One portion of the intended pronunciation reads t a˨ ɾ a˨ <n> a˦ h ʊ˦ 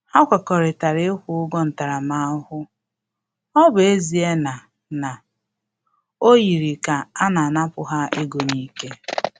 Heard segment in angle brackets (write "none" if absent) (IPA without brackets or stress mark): m